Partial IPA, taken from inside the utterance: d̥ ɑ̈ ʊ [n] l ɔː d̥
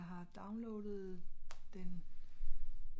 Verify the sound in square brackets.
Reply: correct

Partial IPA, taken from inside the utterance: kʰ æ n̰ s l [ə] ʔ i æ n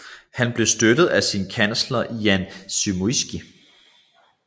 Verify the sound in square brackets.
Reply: incorrect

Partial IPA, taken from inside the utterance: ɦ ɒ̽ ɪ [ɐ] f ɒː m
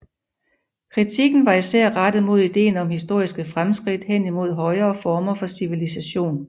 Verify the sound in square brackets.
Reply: incorrect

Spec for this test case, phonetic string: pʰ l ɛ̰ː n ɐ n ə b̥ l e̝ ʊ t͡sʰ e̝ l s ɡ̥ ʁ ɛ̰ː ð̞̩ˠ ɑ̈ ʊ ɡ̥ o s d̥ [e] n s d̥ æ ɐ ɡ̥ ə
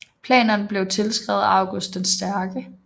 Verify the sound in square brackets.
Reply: correct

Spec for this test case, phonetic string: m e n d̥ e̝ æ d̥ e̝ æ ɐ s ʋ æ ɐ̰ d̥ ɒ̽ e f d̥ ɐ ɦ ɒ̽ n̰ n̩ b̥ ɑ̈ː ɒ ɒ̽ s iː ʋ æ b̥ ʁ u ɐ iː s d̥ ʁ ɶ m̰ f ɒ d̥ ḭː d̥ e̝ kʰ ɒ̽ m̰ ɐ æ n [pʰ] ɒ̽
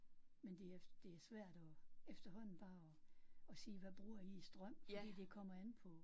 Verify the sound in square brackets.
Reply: correct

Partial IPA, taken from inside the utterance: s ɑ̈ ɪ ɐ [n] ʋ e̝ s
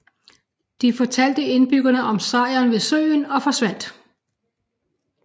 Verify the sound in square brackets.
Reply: correct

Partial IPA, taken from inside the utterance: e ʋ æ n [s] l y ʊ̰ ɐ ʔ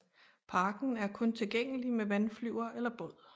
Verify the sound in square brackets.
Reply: incorrect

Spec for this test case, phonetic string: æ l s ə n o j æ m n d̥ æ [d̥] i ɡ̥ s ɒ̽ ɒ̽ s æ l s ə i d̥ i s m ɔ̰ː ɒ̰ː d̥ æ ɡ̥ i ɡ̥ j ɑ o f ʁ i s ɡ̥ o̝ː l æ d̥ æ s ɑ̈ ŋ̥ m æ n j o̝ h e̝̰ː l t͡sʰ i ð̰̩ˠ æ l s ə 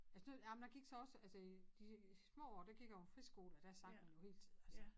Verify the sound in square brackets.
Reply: incorrect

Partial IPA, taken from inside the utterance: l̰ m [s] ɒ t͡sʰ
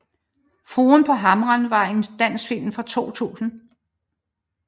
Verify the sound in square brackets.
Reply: incorrect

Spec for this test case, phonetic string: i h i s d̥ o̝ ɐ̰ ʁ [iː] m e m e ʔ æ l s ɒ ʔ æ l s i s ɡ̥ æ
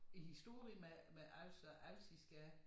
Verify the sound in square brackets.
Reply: incorrect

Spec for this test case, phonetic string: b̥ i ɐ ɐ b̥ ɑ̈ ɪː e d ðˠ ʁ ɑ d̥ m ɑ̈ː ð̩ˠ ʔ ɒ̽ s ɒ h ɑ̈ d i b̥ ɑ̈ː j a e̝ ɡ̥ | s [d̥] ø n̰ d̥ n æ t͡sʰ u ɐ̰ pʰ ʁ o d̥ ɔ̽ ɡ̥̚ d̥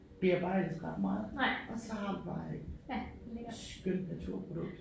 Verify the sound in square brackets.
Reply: incorrect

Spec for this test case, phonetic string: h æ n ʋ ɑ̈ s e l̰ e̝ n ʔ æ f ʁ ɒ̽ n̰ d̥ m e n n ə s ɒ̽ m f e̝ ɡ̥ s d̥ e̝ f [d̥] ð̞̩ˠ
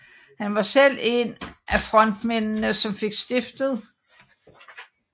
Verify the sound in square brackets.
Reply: correct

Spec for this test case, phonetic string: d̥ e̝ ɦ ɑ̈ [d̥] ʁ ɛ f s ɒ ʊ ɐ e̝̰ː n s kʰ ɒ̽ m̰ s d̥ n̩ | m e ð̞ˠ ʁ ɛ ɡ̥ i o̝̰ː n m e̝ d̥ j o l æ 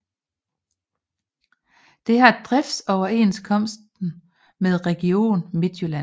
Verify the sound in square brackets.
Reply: correct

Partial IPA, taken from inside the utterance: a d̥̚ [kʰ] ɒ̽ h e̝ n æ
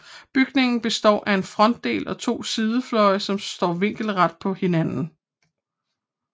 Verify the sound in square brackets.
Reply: incorrect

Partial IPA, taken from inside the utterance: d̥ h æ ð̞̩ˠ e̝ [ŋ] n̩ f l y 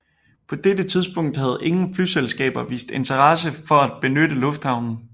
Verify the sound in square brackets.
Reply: correct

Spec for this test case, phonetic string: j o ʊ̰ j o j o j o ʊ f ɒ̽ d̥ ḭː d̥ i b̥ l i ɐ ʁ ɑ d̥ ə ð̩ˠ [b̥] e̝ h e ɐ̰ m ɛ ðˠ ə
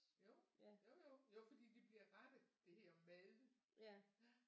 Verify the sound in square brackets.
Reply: incorrect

